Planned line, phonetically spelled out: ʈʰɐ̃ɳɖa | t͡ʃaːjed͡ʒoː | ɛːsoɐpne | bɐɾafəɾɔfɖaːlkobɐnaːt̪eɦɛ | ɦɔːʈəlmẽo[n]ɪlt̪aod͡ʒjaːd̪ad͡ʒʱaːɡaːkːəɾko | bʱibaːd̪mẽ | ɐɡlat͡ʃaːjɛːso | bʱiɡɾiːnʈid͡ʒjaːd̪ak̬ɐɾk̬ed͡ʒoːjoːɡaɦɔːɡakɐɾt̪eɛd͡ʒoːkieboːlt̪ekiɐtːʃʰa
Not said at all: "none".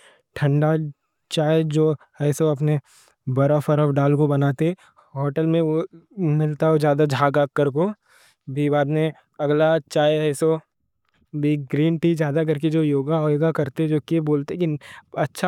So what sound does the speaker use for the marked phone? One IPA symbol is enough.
m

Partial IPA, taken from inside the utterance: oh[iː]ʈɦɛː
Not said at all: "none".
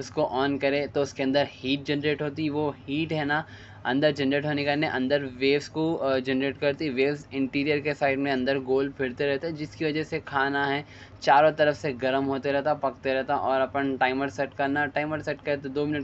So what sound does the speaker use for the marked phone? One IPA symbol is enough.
iː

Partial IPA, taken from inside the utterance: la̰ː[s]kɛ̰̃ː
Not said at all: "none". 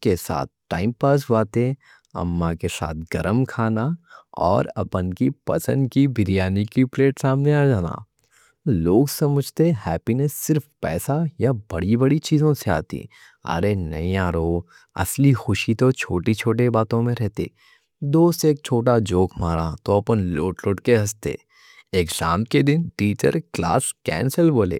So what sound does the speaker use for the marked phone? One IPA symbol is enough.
s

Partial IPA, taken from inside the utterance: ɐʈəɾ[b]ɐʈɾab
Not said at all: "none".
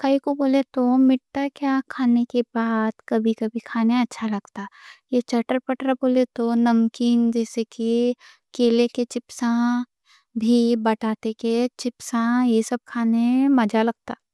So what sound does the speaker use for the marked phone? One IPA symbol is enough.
p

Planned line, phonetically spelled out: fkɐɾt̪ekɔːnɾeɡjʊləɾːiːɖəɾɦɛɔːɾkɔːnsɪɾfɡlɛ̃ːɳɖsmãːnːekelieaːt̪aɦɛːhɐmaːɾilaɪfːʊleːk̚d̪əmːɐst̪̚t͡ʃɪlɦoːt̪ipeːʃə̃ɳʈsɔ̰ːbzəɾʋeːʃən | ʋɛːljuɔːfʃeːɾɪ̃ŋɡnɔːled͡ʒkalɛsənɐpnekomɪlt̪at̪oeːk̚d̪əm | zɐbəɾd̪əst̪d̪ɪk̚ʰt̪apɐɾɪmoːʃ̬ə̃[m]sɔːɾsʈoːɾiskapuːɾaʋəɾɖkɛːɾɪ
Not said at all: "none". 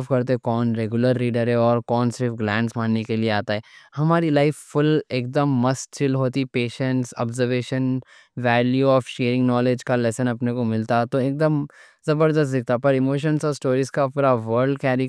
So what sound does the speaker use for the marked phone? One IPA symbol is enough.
n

